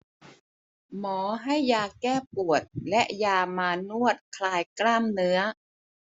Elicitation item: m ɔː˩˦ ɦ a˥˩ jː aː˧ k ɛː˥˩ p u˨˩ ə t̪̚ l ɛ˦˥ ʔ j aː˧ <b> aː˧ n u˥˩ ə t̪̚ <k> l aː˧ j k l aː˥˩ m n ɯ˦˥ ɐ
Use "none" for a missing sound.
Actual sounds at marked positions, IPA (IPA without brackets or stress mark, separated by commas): m, kʰ